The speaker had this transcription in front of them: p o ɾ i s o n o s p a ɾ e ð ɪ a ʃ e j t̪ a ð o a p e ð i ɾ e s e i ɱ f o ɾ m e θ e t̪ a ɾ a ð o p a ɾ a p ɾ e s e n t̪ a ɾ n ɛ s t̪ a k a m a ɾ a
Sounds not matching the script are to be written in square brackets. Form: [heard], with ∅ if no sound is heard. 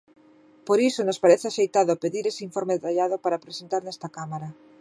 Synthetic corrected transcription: p o ɾ i s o n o s p a ɾ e [θ] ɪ a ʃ e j t̪ a ð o a p e ð i ɾ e s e i ɱ f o ɾ m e [ð] e t̪ a [ʎ] a ð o p a ɾ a p ɾ e s e n t̪ a ɾ n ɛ s t̪ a k a m a ɾ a